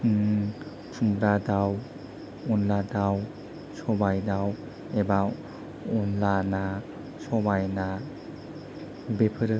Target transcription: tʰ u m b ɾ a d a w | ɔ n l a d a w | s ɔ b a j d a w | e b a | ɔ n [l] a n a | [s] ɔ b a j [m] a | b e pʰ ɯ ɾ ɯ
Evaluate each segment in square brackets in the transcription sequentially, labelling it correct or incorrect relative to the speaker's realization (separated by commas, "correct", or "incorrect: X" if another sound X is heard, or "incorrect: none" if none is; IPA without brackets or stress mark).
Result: correct, correct, incorrect: n